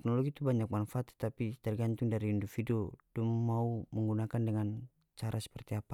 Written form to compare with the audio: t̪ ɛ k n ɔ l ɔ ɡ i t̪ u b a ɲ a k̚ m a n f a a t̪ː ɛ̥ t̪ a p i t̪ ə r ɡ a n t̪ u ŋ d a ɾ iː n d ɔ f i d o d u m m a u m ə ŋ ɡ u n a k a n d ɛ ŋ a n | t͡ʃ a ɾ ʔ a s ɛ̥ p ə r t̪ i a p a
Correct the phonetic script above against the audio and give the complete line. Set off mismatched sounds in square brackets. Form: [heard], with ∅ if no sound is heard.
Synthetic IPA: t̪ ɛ k n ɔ l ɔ ɡ i t̪ u b a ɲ a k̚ m a n f a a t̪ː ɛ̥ t̪ a p i t̪ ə r ɡ a n t̪ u ŋ d a ɾ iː n d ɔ f i d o d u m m a u m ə ŋ ɡ u n a k a n d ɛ ŋ a n | t͡ʃ a ɾ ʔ a s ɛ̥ p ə r t̪ i a p a